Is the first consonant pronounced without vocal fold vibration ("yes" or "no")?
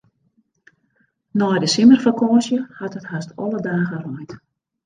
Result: no